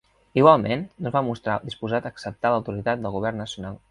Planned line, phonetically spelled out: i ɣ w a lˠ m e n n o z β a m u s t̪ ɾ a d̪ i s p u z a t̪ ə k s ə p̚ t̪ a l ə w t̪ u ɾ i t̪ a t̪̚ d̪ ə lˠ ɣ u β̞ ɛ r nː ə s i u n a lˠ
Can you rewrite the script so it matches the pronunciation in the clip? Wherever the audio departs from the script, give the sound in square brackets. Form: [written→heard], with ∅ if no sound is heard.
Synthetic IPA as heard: i ɣ w a lˠ m e n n o z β a m u s t̪ ɾ a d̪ i s p u z a t̪ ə k s ə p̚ t̪ a l ə w t̪ u ɾ i t̪ a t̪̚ d̪ ə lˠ ɣ u β̞ ɛ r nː ə s i u n a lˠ